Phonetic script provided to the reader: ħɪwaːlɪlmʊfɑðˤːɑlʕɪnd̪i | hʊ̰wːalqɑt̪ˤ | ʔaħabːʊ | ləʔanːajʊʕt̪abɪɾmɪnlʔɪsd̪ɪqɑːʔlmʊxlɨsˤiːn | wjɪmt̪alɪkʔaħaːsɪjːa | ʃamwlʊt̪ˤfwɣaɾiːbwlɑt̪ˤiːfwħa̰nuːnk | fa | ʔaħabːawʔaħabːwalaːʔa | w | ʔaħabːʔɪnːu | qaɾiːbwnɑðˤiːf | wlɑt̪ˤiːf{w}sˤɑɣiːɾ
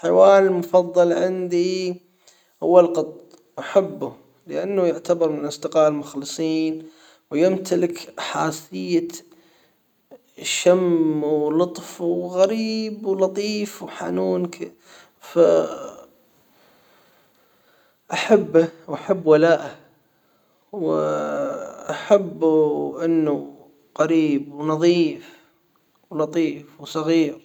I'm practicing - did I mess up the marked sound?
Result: no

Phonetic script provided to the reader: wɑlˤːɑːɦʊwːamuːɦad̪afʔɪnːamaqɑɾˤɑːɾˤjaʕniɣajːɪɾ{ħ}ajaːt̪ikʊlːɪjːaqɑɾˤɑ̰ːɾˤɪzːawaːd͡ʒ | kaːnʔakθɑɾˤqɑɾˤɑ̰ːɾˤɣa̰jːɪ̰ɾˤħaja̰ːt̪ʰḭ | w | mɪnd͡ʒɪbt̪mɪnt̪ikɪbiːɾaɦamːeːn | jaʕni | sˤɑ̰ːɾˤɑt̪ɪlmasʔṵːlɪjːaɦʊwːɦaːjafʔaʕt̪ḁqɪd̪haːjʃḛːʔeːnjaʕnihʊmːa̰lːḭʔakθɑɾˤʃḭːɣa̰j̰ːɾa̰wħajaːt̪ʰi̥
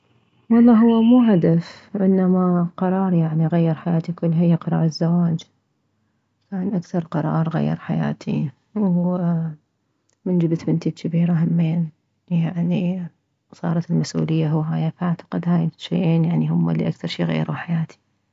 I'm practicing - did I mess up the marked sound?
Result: no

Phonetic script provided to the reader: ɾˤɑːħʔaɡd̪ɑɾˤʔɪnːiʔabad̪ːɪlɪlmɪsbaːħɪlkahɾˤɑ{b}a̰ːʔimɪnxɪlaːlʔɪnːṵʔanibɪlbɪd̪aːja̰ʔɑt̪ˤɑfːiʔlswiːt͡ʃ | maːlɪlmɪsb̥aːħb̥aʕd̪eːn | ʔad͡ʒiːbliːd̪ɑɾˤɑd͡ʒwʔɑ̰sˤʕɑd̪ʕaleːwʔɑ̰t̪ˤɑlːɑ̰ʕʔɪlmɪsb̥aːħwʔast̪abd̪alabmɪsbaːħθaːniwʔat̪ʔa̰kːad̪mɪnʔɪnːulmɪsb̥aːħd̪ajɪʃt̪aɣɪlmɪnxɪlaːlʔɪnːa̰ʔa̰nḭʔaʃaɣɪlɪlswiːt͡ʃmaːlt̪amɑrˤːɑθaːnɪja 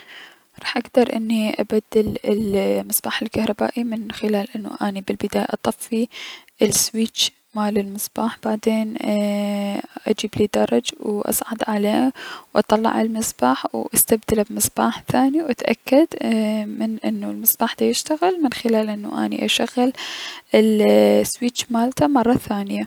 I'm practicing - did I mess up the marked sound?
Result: no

